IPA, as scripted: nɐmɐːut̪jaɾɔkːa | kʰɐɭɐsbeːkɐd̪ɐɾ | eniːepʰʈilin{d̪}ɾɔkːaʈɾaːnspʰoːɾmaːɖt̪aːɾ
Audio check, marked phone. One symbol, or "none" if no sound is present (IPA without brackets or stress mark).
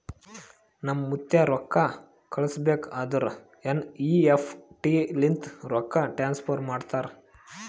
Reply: t̪